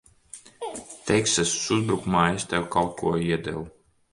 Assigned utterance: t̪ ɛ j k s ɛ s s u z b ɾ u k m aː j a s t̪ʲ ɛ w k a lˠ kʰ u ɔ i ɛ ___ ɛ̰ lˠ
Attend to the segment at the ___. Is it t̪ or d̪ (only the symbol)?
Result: d̪